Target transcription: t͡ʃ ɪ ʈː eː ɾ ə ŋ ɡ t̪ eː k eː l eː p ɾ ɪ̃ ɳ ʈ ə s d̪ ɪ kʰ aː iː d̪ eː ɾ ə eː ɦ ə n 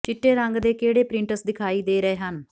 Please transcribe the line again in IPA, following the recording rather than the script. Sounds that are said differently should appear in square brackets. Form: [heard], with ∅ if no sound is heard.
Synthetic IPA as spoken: t͡ʃ ɪ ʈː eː ɾ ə ŋ ɡ [d̪] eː k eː [ɽ] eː p ɾ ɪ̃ ɳ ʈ ə s d̪ ɪ kʰ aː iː d̪ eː ɾ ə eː ɦ ə n